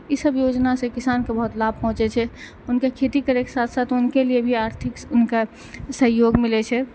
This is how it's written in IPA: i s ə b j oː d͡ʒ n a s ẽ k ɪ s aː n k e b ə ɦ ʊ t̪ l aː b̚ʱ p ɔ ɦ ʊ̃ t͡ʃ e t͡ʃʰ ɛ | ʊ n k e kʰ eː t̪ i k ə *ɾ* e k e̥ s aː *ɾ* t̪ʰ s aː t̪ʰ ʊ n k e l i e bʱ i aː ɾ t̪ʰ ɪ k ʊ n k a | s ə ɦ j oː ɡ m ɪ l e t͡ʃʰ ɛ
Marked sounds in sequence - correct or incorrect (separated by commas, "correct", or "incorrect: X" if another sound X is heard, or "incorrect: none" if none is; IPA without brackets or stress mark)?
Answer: correct, incorrect: none